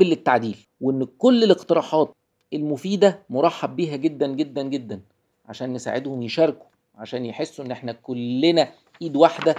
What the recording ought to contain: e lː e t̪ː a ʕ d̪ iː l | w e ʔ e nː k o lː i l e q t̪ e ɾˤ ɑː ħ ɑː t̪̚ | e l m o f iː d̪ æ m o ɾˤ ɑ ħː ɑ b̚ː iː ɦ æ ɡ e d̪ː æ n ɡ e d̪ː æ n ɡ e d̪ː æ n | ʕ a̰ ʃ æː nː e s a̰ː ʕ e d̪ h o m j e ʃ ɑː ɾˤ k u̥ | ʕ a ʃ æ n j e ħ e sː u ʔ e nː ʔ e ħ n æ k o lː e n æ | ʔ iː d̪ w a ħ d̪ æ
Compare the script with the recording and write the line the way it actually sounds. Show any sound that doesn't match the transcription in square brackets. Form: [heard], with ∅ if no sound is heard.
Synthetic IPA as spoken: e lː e t̪ː a ʕ d̪ iː l | w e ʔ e nː k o lː [e] l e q t̪ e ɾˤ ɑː ħ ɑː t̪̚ | e l m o f iː d̪ æ m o ɾˤ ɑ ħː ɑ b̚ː iː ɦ æ ɡ e d̪ː æ n ɡ e d̪ː æ n ɡ e d̪ː æ n | ʕ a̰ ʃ æː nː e s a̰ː ʕ e d̪ h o m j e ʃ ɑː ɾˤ k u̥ | ʕ a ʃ [æː] n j e ħ e sː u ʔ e nː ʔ e ħ n æ k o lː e n æ | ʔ iː d̪ w a ħ d̪ æ